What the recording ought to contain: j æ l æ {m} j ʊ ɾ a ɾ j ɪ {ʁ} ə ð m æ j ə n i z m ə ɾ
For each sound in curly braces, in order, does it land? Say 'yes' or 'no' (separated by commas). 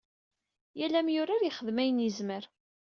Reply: yes, no